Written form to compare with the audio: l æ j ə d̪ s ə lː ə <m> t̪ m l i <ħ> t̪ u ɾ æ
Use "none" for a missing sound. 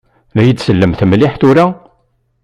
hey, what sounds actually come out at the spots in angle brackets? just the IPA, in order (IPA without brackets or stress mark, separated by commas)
m, ħ